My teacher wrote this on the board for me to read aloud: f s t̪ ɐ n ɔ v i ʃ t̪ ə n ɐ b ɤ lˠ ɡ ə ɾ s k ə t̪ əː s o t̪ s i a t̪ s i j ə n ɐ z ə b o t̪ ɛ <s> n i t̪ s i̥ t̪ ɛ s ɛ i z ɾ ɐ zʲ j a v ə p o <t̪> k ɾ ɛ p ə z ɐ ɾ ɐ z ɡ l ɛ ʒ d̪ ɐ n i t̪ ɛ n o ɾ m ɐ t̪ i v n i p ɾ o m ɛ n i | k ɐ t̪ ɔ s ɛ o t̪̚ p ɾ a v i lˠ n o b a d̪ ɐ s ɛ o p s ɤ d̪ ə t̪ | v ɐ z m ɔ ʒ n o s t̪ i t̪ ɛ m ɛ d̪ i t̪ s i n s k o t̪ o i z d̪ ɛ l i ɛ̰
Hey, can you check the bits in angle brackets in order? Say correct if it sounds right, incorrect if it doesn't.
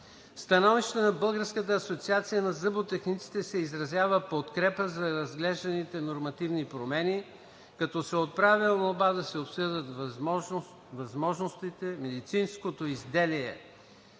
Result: incorrect: x, correct

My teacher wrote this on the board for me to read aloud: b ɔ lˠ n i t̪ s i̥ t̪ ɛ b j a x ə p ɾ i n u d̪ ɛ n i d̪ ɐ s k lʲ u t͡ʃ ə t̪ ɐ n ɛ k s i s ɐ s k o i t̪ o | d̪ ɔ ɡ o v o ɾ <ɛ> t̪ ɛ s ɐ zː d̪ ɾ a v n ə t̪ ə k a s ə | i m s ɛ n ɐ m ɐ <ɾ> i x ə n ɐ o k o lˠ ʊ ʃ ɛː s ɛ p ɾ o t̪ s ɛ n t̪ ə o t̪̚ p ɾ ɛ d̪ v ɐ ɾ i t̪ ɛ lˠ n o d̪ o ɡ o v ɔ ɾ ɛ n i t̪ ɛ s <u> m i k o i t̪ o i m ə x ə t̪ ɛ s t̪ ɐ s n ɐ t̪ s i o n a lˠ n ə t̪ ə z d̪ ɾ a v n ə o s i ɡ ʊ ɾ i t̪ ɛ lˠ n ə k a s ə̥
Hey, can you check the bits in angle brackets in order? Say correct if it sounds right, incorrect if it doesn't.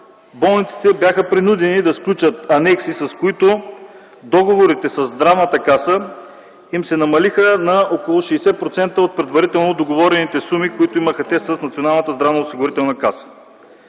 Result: incorrect: i, incorrect: l, correct

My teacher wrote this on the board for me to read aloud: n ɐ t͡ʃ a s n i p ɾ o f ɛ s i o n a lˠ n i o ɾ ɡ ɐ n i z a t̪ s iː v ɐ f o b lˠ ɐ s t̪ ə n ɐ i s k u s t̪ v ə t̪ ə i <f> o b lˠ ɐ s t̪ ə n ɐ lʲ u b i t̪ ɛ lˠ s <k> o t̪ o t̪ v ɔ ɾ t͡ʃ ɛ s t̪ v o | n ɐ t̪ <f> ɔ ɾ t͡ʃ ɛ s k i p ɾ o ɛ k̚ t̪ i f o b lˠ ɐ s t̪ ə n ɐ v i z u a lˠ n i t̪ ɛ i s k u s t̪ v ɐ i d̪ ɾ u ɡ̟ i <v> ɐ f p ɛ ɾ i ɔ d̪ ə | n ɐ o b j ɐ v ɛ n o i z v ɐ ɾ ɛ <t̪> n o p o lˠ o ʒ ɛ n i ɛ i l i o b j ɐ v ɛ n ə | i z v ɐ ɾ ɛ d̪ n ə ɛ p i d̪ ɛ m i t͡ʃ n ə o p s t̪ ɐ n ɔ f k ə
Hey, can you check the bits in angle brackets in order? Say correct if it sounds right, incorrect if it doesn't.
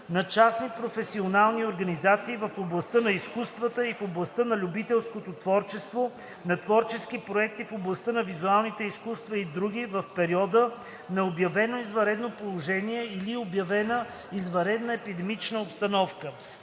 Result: correct, correct, incorrect: v, correct, incorrect: d̪

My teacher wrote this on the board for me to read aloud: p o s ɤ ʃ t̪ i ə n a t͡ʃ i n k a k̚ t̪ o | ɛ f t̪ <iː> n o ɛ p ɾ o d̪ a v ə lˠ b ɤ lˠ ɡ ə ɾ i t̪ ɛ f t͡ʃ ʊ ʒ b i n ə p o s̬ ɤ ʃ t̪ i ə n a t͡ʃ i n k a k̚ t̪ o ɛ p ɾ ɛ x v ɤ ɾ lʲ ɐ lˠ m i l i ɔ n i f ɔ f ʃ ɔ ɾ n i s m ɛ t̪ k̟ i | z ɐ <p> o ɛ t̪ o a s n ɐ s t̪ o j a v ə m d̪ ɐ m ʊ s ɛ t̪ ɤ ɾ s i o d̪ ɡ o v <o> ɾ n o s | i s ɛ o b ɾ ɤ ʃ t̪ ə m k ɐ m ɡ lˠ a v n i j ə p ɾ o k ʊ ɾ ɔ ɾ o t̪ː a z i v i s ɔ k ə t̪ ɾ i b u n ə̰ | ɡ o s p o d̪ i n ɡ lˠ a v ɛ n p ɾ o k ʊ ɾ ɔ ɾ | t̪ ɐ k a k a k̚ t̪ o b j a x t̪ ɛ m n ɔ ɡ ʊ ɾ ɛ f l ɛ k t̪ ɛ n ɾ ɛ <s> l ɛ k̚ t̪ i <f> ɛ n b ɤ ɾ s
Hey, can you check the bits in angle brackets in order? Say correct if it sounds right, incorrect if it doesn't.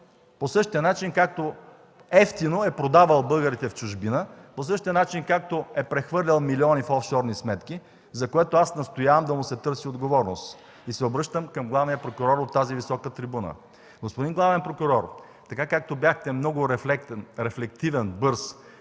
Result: incorrect: i, incorrect: k, incorrect: ɔ, incorrect: f, incorrect: v

